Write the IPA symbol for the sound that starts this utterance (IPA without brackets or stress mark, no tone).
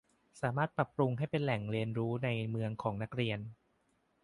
s